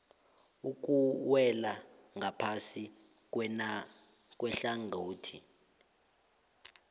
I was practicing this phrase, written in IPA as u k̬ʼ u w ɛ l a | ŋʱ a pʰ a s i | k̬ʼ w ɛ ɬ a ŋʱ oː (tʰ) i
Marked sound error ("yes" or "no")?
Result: no